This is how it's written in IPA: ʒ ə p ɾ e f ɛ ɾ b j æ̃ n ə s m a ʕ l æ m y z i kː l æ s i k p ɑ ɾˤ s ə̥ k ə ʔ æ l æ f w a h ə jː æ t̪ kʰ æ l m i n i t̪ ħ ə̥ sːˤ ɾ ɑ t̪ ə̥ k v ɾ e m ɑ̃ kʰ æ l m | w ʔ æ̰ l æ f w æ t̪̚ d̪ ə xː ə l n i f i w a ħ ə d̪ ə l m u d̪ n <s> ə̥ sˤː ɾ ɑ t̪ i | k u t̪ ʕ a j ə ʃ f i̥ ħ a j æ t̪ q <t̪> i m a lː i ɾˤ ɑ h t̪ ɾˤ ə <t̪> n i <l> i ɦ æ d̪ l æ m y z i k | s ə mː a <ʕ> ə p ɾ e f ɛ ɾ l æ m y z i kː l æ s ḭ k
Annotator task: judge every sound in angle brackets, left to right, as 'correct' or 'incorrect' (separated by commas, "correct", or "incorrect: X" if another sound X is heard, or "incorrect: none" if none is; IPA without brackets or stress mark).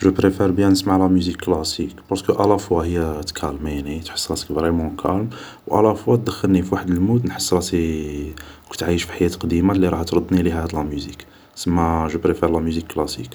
incorrect: ħ, incorrect: d̪, incorrect: d̪, correct, incorrect: ʒ